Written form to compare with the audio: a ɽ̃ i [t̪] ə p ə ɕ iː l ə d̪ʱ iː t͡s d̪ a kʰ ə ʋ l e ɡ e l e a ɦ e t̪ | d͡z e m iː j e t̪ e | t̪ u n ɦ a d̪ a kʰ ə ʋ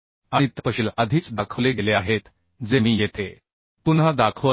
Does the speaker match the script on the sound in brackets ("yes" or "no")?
yes